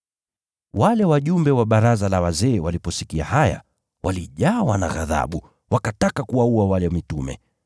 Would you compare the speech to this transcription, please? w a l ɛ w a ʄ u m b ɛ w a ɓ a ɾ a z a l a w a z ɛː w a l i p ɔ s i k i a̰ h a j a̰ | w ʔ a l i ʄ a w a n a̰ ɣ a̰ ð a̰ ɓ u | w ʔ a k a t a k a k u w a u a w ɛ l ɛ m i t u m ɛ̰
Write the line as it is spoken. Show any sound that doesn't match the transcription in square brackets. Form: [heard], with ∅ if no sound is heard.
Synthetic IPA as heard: w a l ɛ w a ʄ u m b ɛ w a ɓ a ɾ a z a l a w a z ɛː w a l i p ɔ s i k i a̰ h a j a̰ | w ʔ a l i ʄ a w a n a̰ ɣ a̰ ð a̰ ɓ u | w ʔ a k a t a k a k u w a u a w [a] l ɛ m i t u m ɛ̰